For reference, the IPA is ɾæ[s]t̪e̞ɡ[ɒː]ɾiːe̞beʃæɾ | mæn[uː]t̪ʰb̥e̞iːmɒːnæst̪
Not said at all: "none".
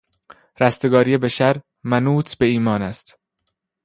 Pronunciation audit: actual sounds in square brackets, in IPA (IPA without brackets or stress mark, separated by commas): s, ɒː, uː